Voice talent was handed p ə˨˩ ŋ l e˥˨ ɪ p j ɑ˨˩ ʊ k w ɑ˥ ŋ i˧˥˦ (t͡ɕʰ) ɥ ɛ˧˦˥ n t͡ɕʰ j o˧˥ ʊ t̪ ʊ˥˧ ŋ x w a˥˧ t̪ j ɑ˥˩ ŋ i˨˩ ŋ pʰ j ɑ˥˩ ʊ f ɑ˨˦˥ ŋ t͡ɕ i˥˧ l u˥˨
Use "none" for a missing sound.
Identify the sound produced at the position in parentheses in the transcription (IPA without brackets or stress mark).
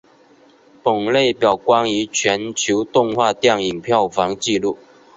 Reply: t͡ɕʰ